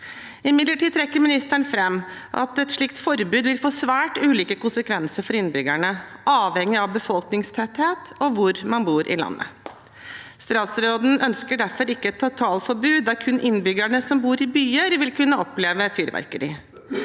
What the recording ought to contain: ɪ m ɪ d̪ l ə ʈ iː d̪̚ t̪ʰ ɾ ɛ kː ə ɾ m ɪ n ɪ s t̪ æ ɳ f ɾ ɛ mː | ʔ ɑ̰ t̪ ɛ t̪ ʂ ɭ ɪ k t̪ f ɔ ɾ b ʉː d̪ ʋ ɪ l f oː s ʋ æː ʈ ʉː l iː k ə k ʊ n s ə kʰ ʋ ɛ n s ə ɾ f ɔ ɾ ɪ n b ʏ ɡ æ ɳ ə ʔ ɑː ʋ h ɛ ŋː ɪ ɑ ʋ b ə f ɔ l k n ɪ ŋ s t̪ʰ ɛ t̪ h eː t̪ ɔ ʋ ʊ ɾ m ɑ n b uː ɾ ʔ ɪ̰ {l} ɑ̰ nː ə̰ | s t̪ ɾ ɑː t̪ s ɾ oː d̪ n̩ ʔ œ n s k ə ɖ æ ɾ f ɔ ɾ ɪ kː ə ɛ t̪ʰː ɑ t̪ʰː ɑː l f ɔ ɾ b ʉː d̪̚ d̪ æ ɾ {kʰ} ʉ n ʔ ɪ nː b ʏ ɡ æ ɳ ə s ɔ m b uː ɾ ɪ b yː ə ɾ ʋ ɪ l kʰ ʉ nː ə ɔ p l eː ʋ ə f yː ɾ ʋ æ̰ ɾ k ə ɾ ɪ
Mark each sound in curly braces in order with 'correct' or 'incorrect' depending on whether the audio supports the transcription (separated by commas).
correct, correct